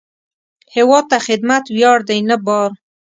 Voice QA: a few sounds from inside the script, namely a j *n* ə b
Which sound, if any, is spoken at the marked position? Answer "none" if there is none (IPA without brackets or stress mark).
n